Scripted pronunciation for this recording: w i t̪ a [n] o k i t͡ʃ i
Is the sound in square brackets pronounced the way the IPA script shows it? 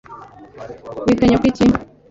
no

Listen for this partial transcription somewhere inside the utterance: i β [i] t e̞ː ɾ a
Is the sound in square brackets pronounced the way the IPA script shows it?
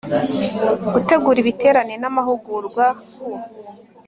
yes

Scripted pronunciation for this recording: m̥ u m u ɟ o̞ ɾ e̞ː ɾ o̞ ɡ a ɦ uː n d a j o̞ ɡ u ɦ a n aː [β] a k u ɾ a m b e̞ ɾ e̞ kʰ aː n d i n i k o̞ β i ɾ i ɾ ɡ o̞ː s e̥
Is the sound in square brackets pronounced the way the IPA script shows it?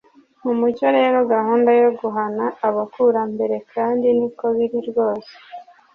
yes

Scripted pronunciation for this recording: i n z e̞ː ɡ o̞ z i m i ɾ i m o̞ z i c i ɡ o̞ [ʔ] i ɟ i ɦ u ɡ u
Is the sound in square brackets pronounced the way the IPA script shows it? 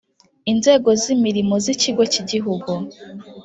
no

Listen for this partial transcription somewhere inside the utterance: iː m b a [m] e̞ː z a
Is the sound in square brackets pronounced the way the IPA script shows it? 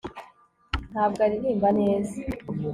no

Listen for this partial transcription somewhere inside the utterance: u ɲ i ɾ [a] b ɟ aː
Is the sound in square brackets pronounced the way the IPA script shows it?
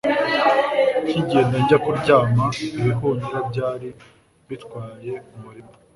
yes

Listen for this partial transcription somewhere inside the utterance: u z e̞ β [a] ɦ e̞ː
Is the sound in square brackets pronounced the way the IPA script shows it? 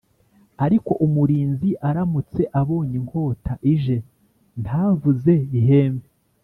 no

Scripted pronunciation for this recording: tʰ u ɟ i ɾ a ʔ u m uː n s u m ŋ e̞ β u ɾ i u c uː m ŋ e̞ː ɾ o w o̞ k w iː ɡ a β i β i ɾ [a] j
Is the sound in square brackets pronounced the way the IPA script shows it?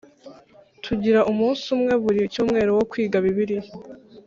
no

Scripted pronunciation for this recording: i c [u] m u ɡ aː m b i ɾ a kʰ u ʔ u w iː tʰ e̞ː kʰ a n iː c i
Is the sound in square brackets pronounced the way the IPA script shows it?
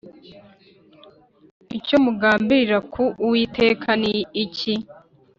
no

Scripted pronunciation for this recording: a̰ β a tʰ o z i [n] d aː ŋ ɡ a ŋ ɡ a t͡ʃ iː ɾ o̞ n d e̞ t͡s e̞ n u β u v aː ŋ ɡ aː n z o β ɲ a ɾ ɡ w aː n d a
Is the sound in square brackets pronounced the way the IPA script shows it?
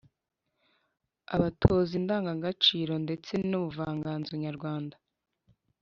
yes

